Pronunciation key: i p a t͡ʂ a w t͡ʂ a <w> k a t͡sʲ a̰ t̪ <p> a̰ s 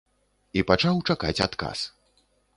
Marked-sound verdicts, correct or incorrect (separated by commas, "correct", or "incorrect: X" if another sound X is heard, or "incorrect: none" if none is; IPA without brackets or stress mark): incorrect: none, incorrect: k